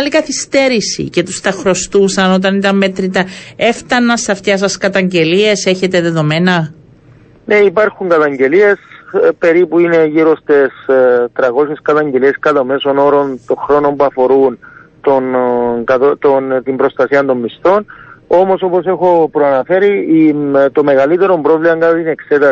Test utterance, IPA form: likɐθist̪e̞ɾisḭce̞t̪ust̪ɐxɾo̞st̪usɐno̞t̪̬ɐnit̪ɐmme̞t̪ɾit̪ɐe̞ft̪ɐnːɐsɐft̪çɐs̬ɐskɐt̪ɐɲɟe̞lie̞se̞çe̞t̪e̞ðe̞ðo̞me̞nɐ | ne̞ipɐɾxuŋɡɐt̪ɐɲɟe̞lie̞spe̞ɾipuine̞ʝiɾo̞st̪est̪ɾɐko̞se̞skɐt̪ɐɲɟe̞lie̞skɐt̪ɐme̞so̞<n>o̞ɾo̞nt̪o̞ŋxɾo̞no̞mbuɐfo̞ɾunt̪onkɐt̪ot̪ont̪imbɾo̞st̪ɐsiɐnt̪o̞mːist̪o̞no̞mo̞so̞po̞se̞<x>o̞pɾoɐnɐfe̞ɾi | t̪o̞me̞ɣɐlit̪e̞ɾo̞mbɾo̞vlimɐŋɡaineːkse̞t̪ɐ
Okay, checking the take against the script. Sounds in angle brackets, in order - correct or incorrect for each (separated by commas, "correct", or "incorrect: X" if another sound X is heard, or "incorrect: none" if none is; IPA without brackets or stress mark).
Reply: correct, correct